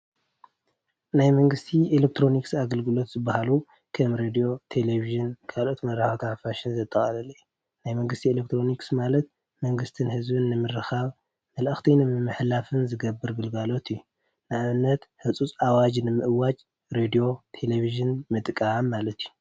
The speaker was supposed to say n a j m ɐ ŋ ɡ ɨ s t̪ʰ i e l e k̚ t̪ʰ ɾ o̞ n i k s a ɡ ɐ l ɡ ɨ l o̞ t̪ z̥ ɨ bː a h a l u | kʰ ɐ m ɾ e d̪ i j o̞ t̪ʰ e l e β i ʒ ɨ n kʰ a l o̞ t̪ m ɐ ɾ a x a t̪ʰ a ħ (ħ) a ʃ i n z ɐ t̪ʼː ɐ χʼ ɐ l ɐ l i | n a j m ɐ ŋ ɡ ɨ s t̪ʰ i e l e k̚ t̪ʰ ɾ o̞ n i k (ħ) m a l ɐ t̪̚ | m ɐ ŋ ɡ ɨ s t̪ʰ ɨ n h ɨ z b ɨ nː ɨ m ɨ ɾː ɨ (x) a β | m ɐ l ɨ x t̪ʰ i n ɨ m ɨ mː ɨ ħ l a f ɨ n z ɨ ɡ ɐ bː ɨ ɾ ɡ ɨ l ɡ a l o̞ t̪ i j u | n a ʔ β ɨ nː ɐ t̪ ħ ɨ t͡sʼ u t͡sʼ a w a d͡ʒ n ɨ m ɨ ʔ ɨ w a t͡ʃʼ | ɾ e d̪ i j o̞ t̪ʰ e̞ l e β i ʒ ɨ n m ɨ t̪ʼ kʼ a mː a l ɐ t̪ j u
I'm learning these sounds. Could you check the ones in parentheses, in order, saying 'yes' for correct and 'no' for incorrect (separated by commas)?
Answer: no, no, yes